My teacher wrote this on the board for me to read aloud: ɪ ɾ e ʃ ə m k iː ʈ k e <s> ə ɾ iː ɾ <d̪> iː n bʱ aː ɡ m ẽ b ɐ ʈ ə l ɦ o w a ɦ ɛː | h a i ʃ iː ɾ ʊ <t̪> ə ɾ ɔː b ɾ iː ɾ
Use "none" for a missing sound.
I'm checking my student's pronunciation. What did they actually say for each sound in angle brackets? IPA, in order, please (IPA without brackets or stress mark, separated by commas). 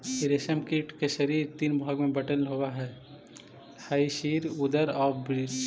ʃ, t̪, d̪